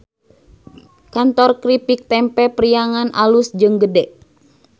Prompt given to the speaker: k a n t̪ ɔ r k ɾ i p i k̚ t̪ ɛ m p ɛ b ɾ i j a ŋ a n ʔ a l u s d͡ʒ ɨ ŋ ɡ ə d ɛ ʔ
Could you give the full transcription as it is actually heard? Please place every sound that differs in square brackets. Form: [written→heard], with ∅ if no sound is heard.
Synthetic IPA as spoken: k a n t̪ ɔ r k ɾ i p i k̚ t̪ ɛ m p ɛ [b→p] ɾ i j a ŋ a n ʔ a l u s d͡ʒ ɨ ŋ ɡ ə d ɛ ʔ